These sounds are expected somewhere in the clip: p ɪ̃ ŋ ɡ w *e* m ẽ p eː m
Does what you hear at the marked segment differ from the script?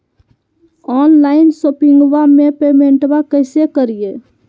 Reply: yes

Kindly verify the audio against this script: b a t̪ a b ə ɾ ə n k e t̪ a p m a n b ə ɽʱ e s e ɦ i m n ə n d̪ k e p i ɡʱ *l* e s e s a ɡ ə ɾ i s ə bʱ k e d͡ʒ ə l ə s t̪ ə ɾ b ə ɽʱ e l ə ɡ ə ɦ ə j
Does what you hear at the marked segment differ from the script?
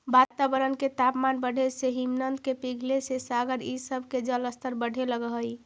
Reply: no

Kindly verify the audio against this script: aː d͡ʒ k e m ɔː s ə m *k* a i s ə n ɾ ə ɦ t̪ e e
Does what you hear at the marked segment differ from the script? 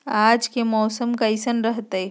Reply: no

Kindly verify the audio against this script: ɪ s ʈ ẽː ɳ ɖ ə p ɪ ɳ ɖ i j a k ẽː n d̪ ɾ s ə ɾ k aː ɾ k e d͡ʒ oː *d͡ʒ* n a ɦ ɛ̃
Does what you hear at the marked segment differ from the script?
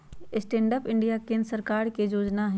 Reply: no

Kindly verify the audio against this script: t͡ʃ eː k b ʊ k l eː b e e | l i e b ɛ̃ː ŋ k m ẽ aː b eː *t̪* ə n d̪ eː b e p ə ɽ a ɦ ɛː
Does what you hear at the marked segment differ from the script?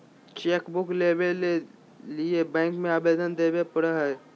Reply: yes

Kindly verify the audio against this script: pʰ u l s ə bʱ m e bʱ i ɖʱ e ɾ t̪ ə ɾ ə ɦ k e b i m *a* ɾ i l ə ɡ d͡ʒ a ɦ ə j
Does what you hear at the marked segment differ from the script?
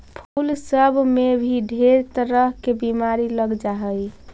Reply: no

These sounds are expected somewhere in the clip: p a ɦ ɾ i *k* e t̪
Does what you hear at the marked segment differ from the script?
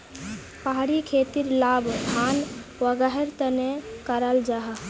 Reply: yes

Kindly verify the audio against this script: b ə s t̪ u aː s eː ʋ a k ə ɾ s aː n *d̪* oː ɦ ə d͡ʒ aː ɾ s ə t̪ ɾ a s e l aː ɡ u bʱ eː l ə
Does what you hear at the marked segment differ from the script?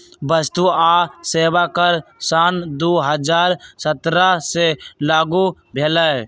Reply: no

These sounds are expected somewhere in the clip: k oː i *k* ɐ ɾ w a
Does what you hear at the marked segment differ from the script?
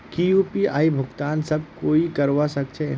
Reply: no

